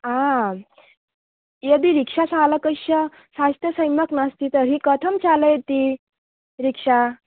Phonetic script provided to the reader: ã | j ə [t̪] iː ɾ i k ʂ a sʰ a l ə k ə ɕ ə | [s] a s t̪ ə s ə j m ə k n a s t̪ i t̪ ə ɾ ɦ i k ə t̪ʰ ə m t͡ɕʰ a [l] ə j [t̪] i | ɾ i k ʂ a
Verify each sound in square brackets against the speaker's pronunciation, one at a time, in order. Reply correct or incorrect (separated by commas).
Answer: incorrect, correct, correct, correct